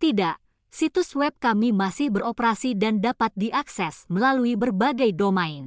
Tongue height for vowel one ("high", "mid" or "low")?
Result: high